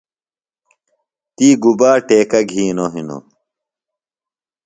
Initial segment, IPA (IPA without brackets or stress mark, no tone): t̪